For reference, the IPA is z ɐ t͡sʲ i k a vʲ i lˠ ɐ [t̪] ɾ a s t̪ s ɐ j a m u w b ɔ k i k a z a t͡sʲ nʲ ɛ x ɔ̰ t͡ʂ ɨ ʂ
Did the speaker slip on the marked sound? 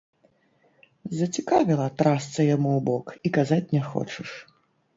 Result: no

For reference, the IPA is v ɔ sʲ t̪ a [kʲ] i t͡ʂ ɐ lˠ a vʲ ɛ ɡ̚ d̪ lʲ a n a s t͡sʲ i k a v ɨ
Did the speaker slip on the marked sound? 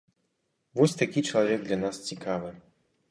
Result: no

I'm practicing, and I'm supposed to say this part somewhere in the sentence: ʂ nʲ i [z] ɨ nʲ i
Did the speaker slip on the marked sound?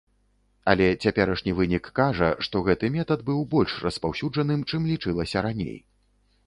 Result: yes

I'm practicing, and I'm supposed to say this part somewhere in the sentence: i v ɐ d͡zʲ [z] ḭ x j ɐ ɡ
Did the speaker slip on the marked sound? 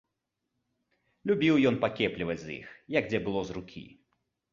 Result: no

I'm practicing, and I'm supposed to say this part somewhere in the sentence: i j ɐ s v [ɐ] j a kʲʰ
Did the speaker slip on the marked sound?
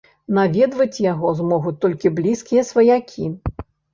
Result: no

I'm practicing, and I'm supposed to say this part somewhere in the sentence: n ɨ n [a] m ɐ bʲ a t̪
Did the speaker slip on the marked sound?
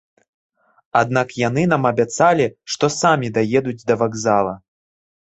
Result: no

